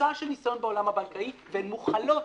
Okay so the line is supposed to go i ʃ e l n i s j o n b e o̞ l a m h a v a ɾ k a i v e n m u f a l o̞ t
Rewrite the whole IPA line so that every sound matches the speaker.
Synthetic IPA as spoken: a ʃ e l n i s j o n b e o̞ l a m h a b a l k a i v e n m u χ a l o̞ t

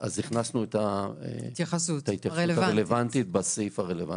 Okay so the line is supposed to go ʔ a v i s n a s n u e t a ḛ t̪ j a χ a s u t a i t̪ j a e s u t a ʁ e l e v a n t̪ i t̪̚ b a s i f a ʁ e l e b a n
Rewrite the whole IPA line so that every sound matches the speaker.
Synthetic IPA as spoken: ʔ a z i χ n a s n u e t a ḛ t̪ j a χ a s u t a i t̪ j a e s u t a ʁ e l e v a n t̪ i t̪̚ b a s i f a ʁ e l e v a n

